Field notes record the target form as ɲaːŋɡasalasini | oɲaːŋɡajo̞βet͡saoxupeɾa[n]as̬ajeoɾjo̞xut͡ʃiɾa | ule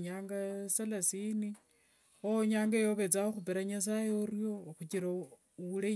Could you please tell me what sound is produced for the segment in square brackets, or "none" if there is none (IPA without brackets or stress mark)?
ɲ